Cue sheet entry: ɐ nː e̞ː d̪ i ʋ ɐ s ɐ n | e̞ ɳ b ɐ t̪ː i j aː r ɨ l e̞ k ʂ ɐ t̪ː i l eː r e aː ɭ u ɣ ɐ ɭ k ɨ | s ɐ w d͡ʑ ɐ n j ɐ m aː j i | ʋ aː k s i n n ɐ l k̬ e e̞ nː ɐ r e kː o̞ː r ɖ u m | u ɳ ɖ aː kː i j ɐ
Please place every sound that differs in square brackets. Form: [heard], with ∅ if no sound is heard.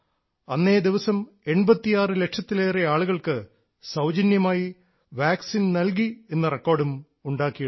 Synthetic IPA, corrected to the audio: ɐ nː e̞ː d̪ i ʋ ɐ s ɐ [m] | e̞ ɳ b ɐ t̪ː i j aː r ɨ l e̞ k ʂ ɐ t̪ː i l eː r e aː ɭ u ɣ ɐ ɭ k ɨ | s ɐ w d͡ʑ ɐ n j ɐ m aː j i | ʋ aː k s i n n ɐ l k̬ [i] e̞ nː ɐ r e kː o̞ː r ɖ u m | u ɳ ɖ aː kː i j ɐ

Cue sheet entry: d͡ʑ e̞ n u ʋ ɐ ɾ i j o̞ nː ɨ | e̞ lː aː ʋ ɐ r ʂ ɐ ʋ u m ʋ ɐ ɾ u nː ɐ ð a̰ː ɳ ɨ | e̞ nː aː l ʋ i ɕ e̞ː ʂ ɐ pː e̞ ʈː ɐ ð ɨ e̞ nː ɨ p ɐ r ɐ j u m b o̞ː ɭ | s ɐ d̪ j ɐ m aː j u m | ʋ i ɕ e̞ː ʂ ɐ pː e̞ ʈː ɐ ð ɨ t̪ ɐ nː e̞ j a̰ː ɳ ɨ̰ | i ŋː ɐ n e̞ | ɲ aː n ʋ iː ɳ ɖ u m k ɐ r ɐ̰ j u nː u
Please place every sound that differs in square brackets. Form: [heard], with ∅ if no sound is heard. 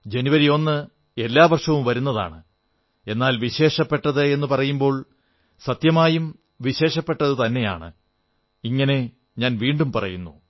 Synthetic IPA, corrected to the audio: d͡ʑ e̞ n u ʋ ɐ ɾ i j o̞ nː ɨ | e̞ lː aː ʋ ɐ r ʂ ɐ ʋ u m ʋ ɐ ɾ u nː ɐ ð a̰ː ɳ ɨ | e̞ nː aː l ʋ i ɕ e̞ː ʂ ɐ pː e̞ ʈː ɐ ð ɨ e̞ nː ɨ p ɐ r ɐ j u m b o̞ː ɭ | s ɐ [t̪] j ɐ m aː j u m | ʋ i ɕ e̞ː ʂ ɐ pː e̞ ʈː ɐ ð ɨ t̪ ɐ nː e̞ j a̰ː ɳ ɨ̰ | i ŋː ɐ n e̞ | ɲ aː n ʋ iː ɳ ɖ u m [p] ɐ r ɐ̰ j u nː u

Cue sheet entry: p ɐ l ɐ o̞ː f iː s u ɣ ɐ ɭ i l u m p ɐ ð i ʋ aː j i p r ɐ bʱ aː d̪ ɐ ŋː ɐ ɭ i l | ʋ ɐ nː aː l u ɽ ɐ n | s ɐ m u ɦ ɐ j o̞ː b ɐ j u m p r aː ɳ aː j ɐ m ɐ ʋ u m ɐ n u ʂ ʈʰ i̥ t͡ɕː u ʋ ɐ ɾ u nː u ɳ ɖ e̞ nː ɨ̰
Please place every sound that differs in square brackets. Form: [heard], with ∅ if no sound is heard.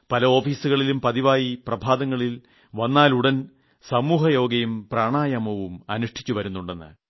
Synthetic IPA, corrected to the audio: p ɐ l ɐ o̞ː f iː s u ɣ ɐ ɭ i l u m p ɐ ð i ʋ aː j i p r ɐ bʱ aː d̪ ɐ ŋː ɐ ɭ i l | ʋ ɐ nː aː l u ɽ ɐ n | s ɐ m [uː] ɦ ɐ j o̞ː [ɡ] ɐ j u m p r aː ɳ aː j ɐ m ɐ ʋ u m ɐ n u ʂ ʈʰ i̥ t͡ɕː u ʋ ɐ ɾ u nː u ɳ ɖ e̞ nː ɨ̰

